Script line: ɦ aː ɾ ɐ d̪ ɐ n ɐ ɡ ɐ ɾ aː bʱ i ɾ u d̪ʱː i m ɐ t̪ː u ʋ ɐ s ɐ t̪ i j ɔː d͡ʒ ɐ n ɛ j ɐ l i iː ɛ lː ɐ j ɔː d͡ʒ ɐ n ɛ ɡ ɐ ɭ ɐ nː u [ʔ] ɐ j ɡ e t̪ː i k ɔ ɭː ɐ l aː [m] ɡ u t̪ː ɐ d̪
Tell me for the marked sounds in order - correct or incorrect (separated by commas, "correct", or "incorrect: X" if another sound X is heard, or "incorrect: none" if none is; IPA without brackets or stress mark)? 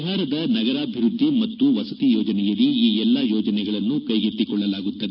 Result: incorrect: k, incorrect: none